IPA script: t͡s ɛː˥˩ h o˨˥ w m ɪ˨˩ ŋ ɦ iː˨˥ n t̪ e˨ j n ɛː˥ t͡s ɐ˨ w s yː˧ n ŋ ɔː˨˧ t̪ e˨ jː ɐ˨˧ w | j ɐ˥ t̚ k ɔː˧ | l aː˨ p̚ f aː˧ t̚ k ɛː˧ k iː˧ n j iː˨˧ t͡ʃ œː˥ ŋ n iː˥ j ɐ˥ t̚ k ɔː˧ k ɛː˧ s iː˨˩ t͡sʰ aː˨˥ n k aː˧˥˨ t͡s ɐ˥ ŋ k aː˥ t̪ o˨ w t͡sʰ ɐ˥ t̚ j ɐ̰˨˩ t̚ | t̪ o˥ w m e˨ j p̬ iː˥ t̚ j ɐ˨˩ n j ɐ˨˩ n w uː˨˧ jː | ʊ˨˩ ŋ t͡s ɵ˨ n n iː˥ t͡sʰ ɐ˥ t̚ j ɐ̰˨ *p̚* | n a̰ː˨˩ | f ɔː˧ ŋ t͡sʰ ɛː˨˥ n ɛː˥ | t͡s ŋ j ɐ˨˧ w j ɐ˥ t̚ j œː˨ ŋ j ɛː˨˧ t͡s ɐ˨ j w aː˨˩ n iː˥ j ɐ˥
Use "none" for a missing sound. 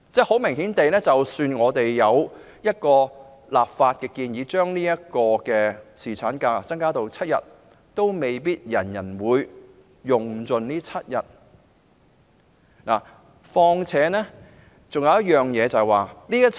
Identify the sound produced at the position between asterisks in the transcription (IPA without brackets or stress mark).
t̚